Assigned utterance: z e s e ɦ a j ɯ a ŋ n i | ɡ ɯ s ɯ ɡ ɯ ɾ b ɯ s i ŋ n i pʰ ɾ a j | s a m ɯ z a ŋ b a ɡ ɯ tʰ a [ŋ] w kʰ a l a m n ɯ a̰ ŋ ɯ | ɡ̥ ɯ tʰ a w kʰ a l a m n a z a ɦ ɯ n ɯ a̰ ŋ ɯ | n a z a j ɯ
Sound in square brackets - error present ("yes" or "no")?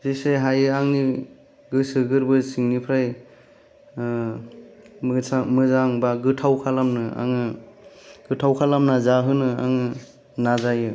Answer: yes